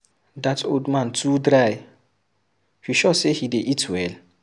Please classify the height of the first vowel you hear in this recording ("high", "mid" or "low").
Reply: low